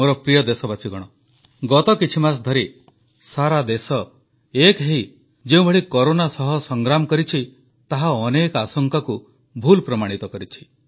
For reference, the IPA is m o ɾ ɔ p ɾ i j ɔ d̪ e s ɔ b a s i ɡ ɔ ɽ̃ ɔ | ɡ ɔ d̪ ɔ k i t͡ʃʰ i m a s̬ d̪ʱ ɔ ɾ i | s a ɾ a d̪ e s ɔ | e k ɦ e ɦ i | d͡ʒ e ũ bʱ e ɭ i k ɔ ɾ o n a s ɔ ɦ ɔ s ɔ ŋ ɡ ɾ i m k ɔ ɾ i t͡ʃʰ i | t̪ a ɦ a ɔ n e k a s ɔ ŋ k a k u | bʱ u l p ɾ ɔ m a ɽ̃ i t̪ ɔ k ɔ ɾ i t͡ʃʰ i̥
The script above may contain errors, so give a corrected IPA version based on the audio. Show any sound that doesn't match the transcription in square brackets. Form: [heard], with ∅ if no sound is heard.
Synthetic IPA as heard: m o ɾ ɔ p ɾ i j ɔ d̪ e s ɔ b a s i ɡ ɔ ɽ̃ ɔ | ɡ ɔ [t̪] ɔ k i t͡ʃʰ i m a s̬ d̪ʱ ɔ ɾ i | s a ɾ a d̪ e s ɔ | e k ɦ e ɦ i | d͡ʒ e ũ bʱ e ɭ i k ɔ ɾ o n a s ɔ ɦ ɔ s ɔ ŋ ɡ ɾ [a] m k ɔ ɾ i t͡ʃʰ i | t̪ a ɦ a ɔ n e k a s ɔ ŋ k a k u | bʱ u l p ɾ ɔ m a ɽ̃ i t̪ ɔ k ɔ ɾ i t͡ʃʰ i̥